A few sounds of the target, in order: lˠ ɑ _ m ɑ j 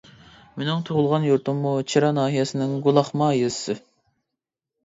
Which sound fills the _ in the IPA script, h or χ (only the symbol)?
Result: χ